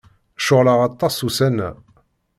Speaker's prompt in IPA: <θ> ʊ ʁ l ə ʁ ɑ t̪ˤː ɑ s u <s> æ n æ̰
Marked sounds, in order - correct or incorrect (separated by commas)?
incorrect, correct